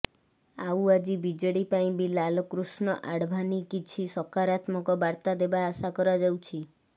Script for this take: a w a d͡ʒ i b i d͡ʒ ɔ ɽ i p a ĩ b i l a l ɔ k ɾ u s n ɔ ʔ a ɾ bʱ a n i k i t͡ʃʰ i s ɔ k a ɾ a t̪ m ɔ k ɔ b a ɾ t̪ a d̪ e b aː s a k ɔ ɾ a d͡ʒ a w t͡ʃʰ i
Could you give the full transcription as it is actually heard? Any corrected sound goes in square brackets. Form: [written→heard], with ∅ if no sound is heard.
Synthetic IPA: a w a d͡ʒ i b i d͡ʒ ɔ ɽ i p a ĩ b i l a l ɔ k ɾ u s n ɔ ʔ a [ɾ→ɽ] bʱ a n i k i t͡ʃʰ i s ɔ k a ɾ a t̪ m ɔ k ɔ b a ɾ t̪ a d̪ e b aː s a k ɔ ɾ a d͡ʒ a w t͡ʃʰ i